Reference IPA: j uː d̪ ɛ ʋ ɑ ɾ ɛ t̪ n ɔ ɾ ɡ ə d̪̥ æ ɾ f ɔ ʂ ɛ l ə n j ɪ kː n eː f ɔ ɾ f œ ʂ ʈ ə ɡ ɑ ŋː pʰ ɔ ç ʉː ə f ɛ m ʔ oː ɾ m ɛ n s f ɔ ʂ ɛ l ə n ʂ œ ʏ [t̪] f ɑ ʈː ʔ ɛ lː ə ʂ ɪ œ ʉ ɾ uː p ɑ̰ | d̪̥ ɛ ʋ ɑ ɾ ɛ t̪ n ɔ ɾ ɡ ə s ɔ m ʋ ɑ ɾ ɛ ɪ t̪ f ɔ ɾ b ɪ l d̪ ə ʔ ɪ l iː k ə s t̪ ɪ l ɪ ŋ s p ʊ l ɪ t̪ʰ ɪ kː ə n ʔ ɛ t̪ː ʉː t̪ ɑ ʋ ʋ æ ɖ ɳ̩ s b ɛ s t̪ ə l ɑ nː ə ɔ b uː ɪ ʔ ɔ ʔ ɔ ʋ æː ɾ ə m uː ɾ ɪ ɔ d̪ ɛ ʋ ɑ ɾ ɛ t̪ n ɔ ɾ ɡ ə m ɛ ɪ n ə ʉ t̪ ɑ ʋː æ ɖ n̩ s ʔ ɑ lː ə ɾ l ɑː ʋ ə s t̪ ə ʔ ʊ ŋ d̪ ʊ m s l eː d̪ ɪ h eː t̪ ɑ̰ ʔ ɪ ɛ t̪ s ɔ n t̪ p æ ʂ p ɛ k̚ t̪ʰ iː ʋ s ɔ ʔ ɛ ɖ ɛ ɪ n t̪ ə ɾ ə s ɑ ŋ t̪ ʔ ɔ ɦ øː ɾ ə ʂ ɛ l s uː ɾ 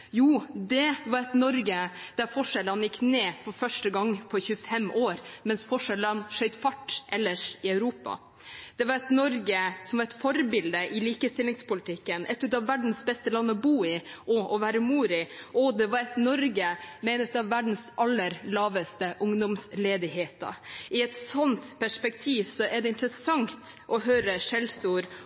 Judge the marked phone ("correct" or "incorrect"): correct